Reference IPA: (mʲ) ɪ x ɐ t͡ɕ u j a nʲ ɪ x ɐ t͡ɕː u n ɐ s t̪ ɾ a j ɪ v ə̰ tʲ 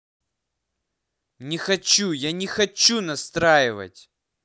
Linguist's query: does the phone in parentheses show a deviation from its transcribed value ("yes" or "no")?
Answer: yes